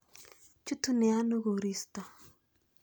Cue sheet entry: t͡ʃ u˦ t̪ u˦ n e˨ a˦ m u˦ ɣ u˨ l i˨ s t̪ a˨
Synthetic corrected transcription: t͡ʃ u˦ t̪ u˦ n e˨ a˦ n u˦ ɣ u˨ ɾ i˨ s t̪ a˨

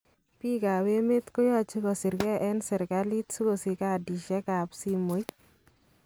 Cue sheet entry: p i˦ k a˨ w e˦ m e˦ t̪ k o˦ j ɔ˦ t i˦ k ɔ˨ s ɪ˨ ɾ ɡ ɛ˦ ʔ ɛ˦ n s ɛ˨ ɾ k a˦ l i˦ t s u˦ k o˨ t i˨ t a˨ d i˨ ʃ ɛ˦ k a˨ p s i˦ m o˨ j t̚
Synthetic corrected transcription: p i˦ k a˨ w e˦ m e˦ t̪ k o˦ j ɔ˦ t͡ʃ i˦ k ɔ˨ s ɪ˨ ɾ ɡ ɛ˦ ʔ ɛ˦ n s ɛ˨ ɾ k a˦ l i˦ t s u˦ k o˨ s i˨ k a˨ d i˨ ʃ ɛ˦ k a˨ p s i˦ m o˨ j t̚

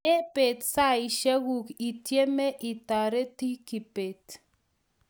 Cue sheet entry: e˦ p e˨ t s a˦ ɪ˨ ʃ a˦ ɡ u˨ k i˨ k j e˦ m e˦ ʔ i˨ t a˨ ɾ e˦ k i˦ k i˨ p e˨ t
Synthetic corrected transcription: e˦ p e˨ t s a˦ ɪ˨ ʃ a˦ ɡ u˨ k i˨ t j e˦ m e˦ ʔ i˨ t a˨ ɾ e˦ t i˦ k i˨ p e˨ t

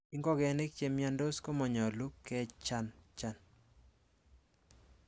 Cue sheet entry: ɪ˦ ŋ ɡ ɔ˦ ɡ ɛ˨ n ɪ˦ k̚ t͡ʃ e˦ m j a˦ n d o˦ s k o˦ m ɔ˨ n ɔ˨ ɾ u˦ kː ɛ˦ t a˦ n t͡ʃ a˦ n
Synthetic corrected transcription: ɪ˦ ŋ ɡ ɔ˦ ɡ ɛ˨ n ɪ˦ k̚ t͡ʃ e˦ m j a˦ n d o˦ s k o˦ m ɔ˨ ɲ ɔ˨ l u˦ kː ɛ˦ t͡ʃ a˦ n t͡ʃ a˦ n

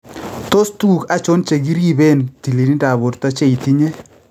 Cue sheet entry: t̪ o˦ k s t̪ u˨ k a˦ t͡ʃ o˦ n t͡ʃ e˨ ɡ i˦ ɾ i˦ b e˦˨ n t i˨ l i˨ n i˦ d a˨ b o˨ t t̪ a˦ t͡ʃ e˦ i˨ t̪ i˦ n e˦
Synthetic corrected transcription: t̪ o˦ s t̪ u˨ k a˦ t͡ʃ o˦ n t͡ʃ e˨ ɡ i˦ ɾ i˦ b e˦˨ n t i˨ l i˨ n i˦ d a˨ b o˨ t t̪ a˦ t͡ʃ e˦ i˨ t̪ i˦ ɲ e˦

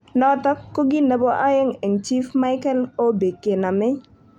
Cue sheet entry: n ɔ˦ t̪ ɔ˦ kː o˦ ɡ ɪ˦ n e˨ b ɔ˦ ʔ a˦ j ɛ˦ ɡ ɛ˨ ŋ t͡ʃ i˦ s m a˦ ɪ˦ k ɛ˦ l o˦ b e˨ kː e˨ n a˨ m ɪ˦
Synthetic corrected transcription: n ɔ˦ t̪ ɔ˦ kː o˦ ɡ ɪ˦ n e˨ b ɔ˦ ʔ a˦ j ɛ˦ ŋ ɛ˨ ŋ t͡ʃ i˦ f m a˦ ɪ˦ k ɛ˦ l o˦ b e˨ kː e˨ n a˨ m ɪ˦

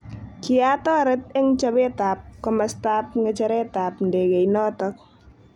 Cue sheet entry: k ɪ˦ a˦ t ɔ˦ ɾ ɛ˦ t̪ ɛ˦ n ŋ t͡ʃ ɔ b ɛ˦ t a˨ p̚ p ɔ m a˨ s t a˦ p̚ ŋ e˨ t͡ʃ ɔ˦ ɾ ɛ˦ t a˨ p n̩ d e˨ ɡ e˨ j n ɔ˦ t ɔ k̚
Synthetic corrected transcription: k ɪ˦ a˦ t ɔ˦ ɾ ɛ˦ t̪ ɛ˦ ŋ t͡ʃ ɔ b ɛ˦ t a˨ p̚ k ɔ m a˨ s t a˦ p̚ ŋ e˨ t͡ʃ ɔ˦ ɾ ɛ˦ t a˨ p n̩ d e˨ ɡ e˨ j n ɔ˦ t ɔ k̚

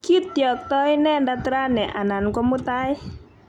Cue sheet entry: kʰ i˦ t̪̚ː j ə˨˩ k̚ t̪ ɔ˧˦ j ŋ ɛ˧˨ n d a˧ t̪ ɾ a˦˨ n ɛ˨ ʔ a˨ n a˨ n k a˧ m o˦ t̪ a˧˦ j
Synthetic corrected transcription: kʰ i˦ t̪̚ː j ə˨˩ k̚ t̪ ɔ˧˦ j n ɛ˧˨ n d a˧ t̪ ɾ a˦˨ n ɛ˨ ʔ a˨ n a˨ n k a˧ m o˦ t̪ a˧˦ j

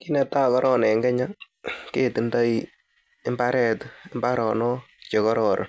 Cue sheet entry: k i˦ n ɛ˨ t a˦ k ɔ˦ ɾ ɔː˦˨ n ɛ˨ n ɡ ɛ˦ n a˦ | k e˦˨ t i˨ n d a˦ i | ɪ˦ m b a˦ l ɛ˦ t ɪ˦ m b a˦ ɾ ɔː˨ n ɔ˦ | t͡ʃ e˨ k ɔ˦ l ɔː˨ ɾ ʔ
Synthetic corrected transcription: k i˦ n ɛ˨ t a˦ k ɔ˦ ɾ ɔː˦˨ n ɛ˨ ŋ ɡ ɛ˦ ɲ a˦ | k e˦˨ t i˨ n d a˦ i | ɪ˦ m b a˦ ɾ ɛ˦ t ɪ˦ m b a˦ ɾ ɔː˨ n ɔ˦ | t͡ʃ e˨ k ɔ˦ ɾ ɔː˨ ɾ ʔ

